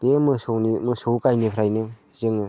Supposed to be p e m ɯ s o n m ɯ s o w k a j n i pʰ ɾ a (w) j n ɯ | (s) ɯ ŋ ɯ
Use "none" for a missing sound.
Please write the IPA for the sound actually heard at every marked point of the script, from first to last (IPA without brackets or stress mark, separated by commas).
none, z